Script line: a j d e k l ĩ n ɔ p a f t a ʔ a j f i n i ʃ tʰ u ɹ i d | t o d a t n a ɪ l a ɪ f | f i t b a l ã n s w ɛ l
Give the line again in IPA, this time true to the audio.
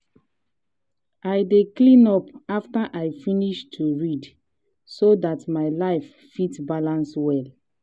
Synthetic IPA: a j d e k l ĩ n ɔ p a f t a ʔ a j f i n i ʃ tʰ u ɹ i d | s o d a t m a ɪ l a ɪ f | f i t b a l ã n s w ɛ l